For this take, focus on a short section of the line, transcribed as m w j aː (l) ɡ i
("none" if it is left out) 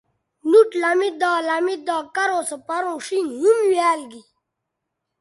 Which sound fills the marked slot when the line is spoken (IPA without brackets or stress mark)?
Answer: l